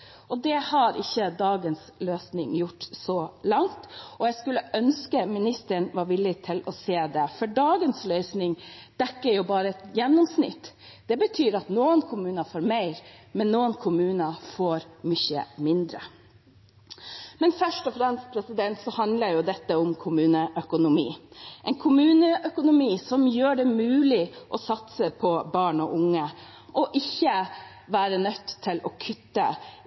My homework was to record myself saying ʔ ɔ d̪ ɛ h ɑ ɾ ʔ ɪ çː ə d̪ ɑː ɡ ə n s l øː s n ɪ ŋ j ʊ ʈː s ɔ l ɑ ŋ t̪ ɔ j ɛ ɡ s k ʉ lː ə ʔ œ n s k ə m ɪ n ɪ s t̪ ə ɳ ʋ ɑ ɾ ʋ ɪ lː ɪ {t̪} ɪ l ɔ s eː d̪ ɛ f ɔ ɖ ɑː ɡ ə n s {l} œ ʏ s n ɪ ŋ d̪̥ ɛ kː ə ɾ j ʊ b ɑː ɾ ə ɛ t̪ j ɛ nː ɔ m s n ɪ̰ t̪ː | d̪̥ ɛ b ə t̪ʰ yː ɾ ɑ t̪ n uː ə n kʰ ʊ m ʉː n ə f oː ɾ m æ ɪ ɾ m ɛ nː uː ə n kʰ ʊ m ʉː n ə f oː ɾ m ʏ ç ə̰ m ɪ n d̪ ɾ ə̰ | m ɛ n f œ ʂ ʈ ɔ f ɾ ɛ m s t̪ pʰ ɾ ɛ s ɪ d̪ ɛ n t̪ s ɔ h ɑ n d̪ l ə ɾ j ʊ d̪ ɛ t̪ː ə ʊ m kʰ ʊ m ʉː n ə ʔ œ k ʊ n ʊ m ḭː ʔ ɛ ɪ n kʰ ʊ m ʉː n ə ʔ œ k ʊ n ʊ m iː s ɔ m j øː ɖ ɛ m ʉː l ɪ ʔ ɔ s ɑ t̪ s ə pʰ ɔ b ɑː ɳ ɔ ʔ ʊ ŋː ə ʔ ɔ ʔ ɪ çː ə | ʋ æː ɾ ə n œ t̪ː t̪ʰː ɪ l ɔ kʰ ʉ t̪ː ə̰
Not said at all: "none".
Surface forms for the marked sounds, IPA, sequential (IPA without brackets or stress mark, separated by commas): t̪ʰ, l